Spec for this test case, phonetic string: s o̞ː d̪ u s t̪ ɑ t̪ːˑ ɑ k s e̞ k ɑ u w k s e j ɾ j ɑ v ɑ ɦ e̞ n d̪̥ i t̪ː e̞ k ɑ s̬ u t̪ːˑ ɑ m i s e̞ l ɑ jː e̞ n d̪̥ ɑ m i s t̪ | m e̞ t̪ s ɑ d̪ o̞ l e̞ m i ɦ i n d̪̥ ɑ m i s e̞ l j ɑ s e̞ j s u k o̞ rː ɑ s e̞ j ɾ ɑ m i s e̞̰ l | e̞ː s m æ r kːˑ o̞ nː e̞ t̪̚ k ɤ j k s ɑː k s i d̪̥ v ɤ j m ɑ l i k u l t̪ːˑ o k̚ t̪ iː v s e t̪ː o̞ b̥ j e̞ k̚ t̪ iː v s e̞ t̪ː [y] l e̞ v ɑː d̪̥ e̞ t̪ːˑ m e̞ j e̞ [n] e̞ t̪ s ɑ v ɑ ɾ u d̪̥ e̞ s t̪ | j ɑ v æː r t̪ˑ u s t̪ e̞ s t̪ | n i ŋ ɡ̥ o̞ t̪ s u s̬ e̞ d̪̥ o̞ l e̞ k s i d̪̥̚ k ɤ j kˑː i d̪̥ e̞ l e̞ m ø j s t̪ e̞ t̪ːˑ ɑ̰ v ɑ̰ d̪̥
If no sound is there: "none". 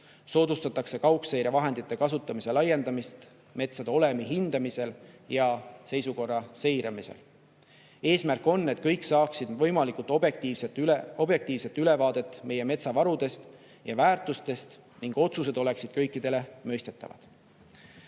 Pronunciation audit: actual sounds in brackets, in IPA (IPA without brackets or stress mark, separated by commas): y, m